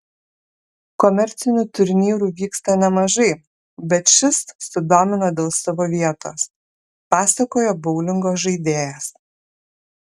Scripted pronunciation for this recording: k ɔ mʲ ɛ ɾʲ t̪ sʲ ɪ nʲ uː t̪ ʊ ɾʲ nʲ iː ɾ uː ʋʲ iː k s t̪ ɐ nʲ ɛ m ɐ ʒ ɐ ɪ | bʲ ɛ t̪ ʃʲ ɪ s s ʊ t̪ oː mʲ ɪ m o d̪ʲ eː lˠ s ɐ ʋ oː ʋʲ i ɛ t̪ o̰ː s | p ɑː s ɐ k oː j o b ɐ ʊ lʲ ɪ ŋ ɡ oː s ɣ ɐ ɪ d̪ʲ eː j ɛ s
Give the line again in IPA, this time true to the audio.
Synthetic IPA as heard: k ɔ mʲ ɛ ɾʲ t̪ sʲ ɪ nʲ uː t̪ ʊ ɾʲ nʲ iː ɾ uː ʋʲ iː k s t̪ ɐ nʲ ɛ m ɐ ʒ ɐ ɪ | bʲ ɛ t̪ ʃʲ ɪ s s ʊ d̪ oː mʲ ɪ n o d̪ʲ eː lˠ s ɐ ʋ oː ʋʲ i ɛ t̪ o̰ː s | p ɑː s ɐ k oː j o b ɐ ʊ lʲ ɪ ŋ ɡ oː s ʒ ɐ ɪ d̪ʲ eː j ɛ s